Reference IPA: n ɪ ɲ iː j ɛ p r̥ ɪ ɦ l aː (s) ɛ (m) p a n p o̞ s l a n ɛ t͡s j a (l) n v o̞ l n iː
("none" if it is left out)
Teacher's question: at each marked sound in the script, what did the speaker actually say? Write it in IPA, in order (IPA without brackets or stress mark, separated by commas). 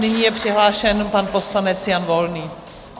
ʃ, n, none